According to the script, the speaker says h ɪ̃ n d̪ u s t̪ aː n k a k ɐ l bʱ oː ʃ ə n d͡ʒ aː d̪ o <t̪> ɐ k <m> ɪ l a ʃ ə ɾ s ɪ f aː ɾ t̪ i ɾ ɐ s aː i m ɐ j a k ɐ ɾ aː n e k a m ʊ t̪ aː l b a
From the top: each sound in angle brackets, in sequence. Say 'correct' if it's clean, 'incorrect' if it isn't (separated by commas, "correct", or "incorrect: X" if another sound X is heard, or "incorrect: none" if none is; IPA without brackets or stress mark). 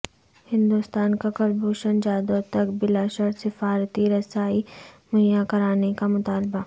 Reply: correct, incorrect: b